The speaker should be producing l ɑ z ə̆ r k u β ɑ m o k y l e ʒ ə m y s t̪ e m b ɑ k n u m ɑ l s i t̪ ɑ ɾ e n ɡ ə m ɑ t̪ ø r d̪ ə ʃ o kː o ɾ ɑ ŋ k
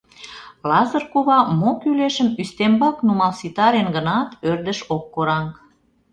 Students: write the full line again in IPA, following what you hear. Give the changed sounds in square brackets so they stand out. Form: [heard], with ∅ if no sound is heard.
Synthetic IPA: l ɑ z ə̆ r k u β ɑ m o k y l e [ʃ] ə m y s t̪ e m b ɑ k n u m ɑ l s i t̪ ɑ ɾ e n ɡ ə [n] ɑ t̪ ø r d̪ ə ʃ o kː o ɾ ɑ ŋ k